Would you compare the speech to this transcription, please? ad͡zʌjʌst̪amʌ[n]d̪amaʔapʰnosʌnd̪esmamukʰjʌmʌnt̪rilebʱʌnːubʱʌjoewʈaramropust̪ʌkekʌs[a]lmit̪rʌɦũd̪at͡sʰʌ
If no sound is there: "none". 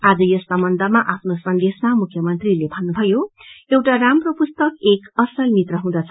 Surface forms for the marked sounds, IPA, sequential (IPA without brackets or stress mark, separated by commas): n, ʌ